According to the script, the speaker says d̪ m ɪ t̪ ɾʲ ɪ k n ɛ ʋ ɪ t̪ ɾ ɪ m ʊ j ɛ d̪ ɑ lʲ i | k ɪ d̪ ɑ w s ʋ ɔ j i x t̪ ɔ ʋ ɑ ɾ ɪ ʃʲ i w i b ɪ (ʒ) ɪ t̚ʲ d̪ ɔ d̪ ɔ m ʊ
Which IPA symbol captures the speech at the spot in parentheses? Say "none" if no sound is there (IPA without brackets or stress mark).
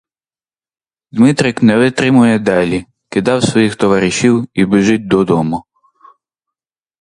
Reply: ʒ